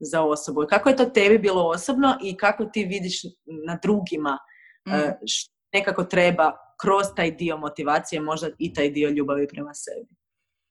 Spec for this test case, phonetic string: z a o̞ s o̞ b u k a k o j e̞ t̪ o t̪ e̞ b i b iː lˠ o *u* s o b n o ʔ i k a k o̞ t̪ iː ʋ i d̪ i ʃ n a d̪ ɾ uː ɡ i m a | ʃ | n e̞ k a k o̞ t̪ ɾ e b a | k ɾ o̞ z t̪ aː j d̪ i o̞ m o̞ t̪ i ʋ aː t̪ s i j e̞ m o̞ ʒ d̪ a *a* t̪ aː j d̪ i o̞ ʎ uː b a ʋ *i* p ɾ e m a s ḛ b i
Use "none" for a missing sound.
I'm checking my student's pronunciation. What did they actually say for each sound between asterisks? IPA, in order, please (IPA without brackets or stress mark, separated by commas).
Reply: o, i, i